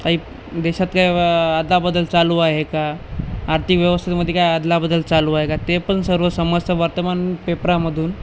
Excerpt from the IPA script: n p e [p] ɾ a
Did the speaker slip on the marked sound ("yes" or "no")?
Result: no